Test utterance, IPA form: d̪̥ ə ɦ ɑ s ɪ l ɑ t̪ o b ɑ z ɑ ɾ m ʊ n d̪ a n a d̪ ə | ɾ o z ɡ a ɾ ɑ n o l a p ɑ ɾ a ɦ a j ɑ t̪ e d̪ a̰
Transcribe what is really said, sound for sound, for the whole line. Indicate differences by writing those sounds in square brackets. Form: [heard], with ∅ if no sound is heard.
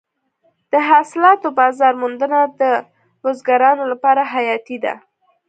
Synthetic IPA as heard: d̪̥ ə ɦ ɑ s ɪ l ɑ t̪ o b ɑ z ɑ ɾ m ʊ n d̪ [ə] n a d̪ ə | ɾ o z ɡ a ɾ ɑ n o l a p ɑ ɾ a ɦ a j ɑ t̪ [i] d̪ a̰